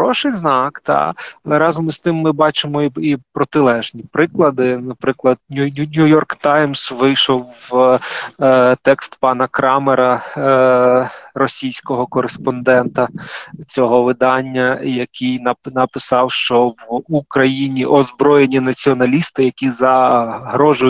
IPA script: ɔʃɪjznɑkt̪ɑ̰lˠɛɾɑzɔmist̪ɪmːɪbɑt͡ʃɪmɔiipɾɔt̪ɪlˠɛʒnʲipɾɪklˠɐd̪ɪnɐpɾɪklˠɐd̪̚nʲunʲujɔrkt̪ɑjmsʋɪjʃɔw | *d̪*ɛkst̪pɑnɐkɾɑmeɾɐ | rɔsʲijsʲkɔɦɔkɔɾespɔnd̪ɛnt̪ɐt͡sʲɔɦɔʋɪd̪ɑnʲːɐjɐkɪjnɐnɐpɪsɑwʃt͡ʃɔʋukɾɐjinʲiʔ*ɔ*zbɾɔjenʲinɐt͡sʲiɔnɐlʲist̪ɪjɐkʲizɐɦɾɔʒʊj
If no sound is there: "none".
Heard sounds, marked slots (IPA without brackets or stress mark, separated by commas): t̪, ɔ